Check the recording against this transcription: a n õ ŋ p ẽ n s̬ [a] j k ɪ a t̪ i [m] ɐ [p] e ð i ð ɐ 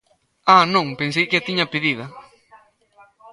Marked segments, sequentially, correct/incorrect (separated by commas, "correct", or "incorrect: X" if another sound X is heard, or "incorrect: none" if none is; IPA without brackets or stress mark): incorrect: e, incorrect: ɲ, correct